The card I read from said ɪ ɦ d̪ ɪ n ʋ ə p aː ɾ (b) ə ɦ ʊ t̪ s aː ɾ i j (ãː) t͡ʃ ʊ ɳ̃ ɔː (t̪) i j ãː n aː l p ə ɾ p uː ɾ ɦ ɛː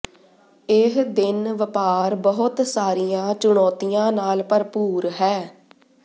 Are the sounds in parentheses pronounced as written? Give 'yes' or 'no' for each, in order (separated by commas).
yes, yes, yes